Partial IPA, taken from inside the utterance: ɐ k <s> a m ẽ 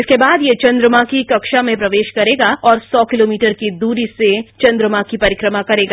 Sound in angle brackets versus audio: incorrect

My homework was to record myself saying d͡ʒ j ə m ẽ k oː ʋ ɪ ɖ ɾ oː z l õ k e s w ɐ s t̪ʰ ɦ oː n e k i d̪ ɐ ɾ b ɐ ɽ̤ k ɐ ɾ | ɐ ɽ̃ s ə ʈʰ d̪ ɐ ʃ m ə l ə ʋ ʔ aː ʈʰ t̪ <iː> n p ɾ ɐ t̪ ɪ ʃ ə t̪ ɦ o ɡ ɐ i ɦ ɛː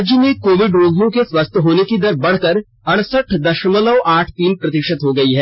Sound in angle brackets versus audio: correct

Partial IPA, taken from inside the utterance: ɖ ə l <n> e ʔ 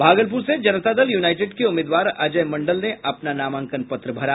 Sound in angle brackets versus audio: correct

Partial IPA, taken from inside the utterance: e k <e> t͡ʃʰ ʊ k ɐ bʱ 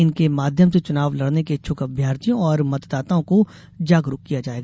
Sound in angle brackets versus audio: correct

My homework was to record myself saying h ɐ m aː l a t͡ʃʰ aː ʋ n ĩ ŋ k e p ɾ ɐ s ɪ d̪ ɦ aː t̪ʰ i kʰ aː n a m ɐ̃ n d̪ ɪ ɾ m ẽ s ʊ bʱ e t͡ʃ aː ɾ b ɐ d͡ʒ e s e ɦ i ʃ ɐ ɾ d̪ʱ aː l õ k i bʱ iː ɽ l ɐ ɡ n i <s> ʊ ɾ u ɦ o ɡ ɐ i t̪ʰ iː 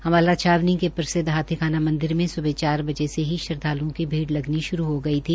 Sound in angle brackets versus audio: incorrect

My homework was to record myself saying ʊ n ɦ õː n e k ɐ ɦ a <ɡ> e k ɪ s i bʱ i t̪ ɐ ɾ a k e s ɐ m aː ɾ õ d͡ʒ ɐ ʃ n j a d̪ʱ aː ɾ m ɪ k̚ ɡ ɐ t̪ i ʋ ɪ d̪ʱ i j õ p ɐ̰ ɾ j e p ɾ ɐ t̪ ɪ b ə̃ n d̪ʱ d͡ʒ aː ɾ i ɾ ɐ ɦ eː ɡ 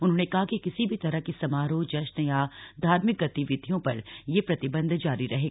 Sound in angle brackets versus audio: incorrect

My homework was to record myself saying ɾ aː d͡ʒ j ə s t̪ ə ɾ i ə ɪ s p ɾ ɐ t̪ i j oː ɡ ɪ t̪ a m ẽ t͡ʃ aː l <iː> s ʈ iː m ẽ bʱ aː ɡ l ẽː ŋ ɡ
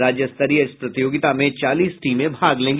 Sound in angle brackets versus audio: correct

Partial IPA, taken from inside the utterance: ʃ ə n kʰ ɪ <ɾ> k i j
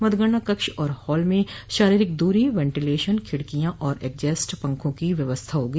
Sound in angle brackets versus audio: incorrect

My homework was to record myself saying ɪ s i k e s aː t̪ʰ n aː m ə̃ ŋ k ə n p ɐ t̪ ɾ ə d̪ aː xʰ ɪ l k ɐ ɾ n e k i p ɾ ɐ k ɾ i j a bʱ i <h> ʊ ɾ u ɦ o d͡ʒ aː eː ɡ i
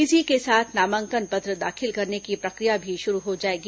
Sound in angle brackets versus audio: incorrect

